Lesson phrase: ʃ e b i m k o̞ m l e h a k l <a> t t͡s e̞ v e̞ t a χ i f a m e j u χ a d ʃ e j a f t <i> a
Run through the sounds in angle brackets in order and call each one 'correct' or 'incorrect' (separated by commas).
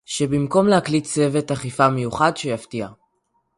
incorrect, correct